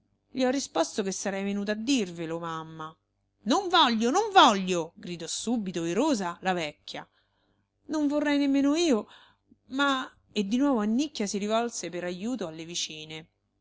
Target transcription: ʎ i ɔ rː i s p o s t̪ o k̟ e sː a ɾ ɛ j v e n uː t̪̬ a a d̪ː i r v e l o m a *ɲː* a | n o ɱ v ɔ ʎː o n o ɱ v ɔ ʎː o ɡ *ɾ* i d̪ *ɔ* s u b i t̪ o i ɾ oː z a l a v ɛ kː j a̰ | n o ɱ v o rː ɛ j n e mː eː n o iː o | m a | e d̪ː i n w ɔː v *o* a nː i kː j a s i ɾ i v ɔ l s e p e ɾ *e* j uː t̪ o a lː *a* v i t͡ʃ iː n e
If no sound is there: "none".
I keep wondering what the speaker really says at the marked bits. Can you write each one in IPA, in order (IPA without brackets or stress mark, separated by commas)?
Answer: mː, ɾ, ɔ, o, a, e